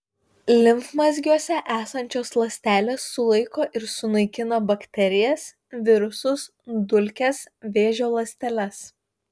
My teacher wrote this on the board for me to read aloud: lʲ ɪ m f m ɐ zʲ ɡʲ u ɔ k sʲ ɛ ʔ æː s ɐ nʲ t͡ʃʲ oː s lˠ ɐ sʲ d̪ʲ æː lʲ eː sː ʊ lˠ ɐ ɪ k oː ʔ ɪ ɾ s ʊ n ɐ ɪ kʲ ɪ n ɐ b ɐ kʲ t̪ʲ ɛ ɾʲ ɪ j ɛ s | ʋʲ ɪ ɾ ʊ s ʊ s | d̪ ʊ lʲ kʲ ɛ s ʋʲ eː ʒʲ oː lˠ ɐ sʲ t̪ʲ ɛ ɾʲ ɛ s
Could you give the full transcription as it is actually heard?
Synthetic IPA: lʲ ɪ m f m ɐ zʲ ɡʲ u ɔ sʲ ɛ ʔ æː s ɐ nʲ t͡ʃʲ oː s lˠ ɐ sʲ t̪ʲ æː lʲ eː sː ʊ lˠ ɐ ɪ k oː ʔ ɪ ɾ s ʊ n ɐ ɪ kʲ ɪ n ɐ b ɐ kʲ t̪ʲ ɛ ɾʲ ɪ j ɛ s | ʋʲ ɪ ɾ ʊ s ʊ s | d̪ ʊ lʲ kʲ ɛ s ʋʲ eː ʒʲ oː lˠ ɐ sʲ t̪ʲ ɛ lʲ ɛ s

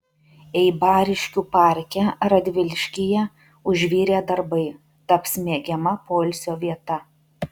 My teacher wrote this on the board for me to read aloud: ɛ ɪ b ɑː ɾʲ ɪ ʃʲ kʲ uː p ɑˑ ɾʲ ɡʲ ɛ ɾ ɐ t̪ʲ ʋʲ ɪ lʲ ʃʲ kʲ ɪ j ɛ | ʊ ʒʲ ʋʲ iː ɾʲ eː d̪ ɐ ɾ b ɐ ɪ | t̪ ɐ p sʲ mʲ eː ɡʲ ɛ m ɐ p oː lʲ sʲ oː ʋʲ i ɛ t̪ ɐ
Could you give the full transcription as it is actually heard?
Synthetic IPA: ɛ ɪ b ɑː ɾʲ ɪ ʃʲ kʲ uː p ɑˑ ɾʲ kʲ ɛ ɾ ɐ d̪ʲ ʋʲ ɪ lʲ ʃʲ kʲ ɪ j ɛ | ʊ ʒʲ ʋʲ iː ɾʲ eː d̪ ɐ ɾ b ɐ ɪ | t̪ ɐ p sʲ mʲ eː ɡʲ ɛ m ɐ p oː lʲ sʲ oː ʋʲ i ɛ t̪ ɐ

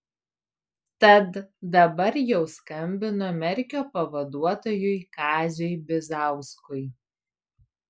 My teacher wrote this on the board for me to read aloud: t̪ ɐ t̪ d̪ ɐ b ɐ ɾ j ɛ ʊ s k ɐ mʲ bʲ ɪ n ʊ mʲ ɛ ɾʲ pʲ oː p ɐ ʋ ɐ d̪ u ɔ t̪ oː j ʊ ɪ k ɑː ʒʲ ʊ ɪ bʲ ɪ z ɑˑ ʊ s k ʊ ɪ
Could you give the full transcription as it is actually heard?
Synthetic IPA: t̪ ɐ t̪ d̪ ɐ b ɐ ɾ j ɛ ʊ s k ɐ mʲ bʲ ɪ n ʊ mʲ ɛ ɾʲ kʲ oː p ɐ ʋ ɐ d̪ u ɔ t̪ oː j ʊ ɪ k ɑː zʲ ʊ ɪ bʲ ɪ z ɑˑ ʊ s k ʊ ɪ

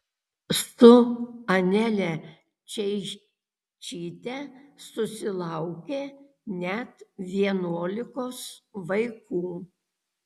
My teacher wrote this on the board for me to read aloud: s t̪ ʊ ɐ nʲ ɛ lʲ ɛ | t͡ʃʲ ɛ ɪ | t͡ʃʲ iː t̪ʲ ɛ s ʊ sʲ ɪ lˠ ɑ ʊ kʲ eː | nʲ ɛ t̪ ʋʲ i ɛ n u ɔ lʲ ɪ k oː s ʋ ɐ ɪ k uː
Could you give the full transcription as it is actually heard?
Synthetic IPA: s t̪ ʊ ɐ nʲ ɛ lʲ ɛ | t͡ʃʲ ɛ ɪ | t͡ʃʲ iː t̪ʲ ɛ s ʊ sʲ ɪ lˠ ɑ ʊ kʲ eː | nʲ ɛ t̪ ʋʲ i ɛ n u ɔ lʲ ɪ k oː s ʋ ɐ ɪ k uː

